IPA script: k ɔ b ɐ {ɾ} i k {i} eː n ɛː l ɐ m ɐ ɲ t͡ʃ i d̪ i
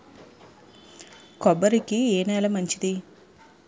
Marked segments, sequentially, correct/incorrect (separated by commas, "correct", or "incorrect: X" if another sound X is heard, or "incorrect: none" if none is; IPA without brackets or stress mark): correct, correct